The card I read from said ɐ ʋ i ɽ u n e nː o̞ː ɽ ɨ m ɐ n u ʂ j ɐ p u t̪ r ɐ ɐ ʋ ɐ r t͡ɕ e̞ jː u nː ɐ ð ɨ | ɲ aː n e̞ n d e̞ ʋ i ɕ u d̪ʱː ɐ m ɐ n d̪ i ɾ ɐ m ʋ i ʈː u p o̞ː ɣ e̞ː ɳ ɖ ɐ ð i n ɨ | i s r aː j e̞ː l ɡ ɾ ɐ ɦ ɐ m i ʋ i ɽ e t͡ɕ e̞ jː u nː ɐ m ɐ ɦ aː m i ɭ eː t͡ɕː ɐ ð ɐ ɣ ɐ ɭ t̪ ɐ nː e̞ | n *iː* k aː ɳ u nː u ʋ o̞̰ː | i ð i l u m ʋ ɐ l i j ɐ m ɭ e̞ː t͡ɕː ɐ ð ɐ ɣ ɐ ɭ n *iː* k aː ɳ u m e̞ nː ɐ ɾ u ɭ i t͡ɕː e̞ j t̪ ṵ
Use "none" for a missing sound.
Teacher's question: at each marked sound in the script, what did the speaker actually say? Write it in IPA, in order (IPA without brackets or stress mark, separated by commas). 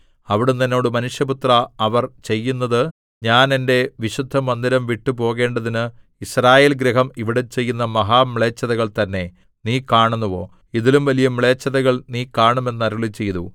iː, iː